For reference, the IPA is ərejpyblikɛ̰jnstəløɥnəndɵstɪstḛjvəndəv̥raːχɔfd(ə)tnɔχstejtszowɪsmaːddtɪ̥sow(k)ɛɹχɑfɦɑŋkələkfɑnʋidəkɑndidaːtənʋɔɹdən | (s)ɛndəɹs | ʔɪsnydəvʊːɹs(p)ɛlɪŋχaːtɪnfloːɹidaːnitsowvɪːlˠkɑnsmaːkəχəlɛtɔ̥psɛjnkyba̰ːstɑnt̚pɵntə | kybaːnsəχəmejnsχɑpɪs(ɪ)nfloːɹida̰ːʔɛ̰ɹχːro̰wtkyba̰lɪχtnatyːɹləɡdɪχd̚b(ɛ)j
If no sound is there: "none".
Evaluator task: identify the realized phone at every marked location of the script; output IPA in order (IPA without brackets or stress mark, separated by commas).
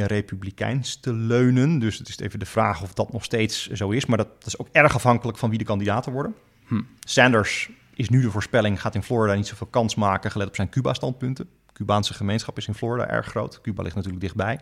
ɑ, k, s, p, ɪ, ɛ